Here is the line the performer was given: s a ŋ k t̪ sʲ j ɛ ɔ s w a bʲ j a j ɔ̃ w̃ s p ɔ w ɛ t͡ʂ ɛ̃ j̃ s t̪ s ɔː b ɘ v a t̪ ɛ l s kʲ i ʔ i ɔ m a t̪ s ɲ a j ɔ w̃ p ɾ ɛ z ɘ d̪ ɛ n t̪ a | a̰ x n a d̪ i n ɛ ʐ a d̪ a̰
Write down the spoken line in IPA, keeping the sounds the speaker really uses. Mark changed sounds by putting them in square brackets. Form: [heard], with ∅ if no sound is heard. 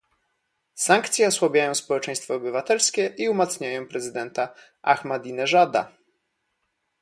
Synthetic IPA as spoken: s a ŋ k t̪ sʲ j ɛ ɔ s w a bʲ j a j ɔ̃ w̃ s p ɔ w ɛ t͡ʂ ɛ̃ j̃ s t̪ [f] ɔː b ɘ v a t̪ ɛ l s kʲ [ɛ] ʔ i [u] m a t̪ s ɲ a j [ɔ̃] w̃ p ɾ ɛ z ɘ d̪ ɛ n t̪ a | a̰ x [m] a d̪ i n ɛ ʐ a d̪ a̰